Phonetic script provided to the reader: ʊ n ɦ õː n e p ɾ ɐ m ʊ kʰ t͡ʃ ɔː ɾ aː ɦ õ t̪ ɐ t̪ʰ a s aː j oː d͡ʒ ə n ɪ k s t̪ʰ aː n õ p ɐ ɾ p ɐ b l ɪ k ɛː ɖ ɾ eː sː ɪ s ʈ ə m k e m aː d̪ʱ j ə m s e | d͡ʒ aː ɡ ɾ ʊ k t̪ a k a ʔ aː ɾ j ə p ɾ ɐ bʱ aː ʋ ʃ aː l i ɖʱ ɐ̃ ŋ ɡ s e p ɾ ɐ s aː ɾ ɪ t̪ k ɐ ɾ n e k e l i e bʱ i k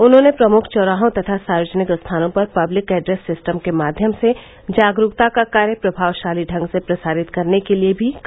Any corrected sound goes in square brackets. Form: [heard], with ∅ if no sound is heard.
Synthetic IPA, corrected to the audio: ʊ n ɦ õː n e p ɾ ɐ m ʊ kʰ t͡ʃ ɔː ɾ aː ɦ õ t̪ ɐ t̪ʰ a s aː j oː d͡ʒ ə n ɪ k s t̪ʰ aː n õ p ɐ ɾ p ɐ b l ɪ k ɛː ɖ ɾ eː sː ɪ s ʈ ə m k e m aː d̪ʱ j ə m s e | d͡ʒ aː ɡ ɾ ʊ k t̪ a k a [k] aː ɾ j ə p ɾ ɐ bʱ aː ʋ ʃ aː l i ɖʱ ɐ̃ ŋ ɡ s e p ɾ ɐ s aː ɾ ɪ t̪ k ɐ ɾ n e k e l i e bʱ i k